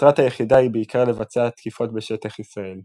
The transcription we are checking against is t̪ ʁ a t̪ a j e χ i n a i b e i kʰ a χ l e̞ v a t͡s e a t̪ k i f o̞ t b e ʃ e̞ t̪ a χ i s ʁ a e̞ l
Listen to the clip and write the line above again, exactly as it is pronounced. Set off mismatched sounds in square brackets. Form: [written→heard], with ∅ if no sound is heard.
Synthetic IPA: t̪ ʁ a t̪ a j e χ i [n→d] a i b e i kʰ a [χ→ʁ] l e̞ v a t͡s e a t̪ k i f o̞ t b e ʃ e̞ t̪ a χ i s ʁ a e̞ l